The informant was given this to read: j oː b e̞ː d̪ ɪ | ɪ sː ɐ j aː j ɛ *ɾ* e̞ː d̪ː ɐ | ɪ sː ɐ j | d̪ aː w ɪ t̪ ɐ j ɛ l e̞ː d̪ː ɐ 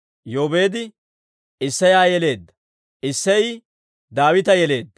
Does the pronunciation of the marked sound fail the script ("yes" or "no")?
yes